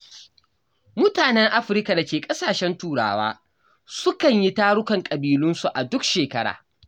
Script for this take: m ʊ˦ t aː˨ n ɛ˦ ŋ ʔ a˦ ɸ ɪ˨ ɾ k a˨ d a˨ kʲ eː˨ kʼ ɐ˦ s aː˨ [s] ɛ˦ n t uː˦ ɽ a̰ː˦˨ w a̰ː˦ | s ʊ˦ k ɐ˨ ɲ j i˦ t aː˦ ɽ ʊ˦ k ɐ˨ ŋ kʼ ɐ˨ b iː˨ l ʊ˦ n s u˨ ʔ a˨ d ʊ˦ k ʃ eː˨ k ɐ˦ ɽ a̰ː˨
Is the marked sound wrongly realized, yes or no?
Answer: yes